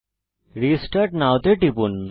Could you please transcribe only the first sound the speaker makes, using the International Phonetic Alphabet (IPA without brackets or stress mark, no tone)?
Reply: ɾ